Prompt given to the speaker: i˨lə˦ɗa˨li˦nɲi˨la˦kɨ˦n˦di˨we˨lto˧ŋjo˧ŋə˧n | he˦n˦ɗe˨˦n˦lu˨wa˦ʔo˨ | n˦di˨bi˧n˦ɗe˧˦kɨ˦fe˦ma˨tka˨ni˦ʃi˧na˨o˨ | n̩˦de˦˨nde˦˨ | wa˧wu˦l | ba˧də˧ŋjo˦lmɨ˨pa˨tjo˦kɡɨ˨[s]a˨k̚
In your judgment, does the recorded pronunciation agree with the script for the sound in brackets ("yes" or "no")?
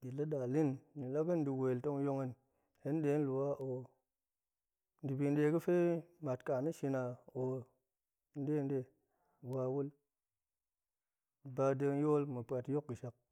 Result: no